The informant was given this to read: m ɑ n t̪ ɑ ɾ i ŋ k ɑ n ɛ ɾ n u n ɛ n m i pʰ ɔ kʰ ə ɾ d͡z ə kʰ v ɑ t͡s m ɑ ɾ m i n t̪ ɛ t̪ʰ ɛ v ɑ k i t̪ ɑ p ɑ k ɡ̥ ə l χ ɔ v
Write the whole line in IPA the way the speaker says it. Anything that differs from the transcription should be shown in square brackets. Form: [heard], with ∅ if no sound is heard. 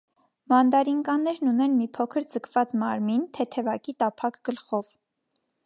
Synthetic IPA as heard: m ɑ n [d̪] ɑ ɾ i ŋ k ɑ n ɛ ɾ n u n ɛ n m i pʰ ɔ kʰ ə ɾ d͡z ə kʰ v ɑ t͡s m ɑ ɾ m i n [t̪ʰ] ɛ t̪ʰ ɛ v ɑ k i t̪ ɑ [pʰ] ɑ k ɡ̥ ə l χ ɔ v